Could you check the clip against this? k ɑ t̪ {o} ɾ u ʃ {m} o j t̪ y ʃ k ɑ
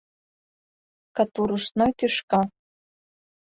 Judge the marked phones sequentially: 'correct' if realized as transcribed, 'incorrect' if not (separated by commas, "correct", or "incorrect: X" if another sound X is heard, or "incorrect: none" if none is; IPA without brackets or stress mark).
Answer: incorrect: u, incorrect: n